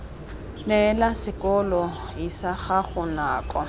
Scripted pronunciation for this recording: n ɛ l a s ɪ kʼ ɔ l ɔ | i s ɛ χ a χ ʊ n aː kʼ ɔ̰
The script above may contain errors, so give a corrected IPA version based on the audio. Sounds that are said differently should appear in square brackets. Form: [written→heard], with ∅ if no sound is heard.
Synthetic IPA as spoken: n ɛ l a s ɪ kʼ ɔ l ɔ | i s [ɛ→a] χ a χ ʊ n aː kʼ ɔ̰